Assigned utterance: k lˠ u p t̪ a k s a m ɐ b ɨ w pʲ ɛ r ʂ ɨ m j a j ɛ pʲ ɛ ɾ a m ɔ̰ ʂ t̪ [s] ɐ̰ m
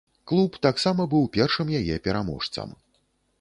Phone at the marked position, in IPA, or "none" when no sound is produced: s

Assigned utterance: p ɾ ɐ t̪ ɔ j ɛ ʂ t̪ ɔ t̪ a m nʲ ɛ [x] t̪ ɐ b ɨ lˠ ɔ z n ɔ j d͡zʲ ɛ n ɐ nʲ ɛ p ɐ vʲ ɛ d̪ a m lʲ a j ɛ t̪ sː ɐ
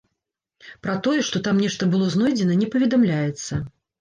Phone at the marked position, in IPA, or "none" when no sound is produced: ʂ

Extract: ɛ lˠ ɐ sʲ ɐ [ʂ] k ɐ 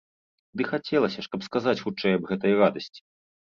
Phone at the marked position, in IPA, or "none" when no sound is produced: ʂ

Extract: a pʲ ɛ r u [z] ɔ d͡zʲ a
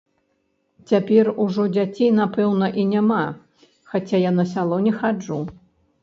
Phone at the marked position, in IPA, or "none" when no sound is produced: ʐ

